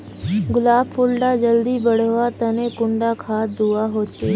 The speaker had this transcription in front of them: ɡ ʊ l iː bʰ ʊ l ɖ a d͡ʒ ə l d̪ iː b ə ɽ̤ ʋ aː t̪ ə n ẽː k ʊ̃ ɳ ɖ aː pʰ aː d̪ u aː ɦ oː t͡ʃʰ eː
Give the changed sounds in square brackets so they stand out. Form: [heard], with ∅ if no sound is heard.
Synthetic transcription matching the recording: ɡ ʊ l [aː] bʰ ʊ l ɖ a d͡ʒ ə l d̪ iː b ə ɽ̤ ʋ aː t̪ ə n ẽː k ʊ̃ ɳ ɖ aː [kʰ] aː d̪ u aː ɦ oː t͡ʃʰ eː